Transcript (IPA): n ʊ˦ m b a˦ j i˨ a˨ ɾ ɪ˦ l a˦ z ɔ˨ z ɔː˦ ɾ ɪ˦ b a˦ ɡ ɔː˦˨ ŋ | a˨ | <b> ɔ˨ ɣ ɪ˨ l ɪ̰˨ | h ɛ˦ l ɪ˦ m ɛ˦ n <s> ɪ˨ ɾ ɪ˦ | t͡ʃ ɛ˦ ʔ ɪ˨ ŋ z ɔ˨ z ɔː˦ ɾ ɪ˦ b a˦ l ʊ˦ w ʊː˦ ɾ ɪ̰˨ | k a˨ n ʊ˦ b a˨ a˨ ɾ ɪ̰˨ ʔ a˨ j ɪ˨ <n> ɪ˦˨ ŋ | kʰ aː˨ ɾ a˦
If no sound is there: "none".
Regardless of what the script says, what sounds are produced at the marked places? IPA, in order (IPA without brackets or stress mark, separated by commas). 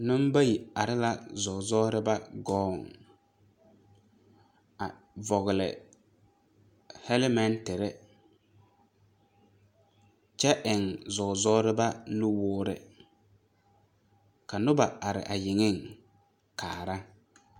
v, t, ŋ